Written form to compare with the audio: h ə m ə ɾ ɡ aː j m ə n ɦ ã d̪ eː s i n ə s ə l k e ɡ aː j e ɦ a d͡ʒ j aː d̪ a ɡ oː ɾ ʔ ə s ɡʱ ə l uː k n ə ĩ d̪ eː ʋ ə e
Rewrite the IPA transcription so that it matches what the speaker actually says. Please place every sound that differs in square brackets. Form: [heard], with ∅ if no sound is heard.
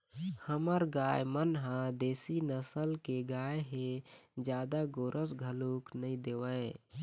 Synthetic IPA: h ə m ə ɾ ɡ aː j m ə n ɦ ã d̪ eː s i n ə s ə l k e ɡ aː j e ɦ [e] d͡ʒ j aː d̪ a ɡ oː ɾ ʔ ə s ɡʱ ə l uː k n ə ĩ d̪ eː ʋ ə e